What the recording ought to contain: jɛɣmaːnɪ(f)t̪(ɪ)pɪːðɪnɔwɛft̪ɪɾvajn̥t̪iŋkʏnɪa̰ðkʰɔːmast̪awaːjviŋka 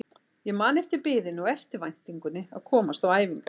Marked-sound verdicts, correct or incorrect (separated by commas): correct, correct